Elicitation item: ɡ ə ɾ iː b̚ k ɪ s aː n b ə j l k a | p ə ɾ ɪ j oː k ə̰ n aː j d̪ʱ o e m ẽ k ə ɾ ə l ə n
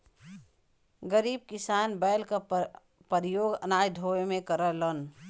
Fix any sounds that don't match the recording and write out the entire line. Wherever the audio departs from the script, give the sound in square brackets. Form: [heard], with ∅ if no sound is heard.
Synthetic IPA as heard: ɡ ə ɾ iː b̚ k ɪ s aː n b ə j l k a | p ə ɾ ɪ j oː [ɡ] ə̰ n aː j d̪ʱ o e m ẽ k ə ɾ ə l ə n